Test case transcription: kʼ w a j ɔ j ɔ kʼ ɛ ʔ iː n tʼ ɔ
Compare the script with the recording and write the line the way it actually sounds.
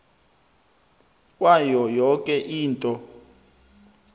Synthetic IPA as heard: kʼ w a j ɔ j ɔ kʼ ɛ ʔ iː n tʼ ɔ